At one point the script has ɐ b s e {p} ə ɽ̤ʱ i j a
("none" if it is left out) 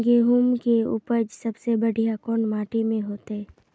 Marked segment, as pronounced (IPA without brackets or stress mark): b